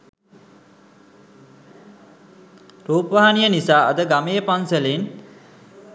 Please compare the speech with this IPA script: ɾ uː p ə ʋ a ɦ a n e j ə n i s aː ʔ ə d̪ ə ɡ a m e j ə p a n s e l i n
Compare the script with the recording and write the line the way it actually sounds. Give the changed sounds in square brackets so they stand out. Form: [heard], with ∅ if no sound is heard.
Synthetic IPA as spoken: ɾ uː p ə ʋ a ɦ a n [i] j ə n i s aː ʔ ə d̪ ə ɡ a m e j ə p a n s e l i n